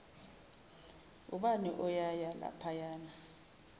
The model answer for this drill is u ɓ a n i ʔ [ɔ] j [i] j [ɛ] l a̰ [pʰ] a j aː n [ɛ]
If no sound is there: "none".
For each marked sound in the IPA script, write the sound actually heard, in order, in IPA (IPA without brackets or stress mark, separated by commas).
ɔ, a, a, pʰ, a